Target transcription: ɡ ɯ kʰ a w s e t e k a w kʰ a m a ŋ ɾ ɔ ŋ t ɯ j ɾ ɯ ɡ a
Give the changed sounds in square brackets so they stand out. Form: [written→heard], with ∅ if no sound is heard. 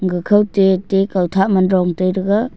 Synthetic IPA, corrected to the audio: ɡ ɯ kʰ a w [s→t] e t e k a w [kʰ→tʰ] a m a [ŋ→n] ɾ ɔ ŋ t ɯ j ɾ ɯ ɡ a